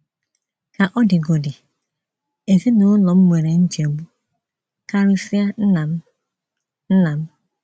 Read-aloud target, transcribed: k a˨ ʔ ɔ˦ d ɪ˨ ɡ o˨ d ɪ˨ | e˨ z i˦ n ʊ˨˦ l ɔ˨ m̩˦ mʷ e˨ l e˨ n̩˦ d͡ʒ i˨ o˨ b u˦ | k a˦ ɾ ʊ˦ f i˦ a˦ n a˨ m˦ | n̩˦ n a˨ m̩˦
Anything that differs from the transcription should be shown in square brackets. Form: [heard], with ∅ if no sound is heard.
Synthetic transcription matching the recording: k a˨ ʔ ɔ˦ d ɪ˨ ɡ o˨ d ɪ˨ | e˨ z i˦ n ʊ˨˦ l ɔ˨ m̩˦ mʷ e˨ [ɾ] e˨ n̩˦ d͡ʒ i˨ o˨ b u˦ | k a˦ ɾ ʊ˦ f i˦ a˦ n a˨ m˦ | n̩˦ n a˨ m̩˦